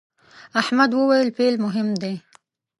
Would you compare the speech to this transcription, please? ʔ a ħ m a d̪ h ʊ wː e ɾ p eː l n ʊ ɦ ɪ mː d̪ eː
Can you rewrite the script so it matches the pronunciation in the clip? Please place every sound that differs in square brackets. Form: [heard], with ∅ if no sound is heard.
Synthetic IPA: ʔ a ħ m a d̪ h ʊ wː e [l] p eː l [m] ʊ ɦ ɪ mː d̪ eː